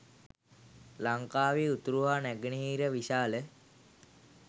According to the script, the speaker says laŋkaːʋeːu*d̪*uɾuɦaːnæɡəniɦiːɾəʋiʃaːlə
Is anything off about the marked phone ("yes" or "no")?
yes